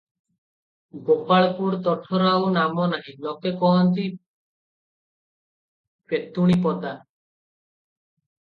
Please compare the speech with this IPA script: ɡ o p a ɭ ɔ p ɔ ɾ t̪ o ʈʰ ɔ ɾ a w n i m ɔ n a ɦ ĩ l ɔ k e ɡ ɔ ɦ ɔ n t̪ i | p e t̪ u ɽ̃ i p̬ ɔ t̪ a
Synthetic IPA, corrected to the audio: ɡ o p a ɭ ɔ p u ɾ t̪ ɔ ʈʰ ɔ ɾ a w n a m ɔ n a ɦ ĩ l ɔ k e k ɔ ɦ ɔ n t̪ i | p e t̪ u ɽ̃ i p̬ ɔ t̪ a